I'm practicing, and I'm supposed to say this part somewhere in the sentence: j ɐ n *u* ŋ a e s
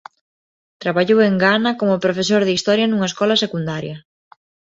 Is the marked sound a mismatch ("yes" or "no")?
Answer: no